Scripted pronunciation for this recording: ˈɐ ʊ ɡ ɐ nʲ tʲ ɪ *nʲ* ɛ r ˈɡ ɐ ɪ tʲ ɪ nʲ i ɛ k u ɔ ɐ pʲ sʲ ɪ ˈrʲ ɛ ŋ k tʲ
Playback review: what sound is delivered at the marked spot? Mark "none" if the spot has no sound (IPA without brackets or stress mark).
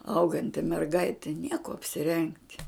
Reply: mʲ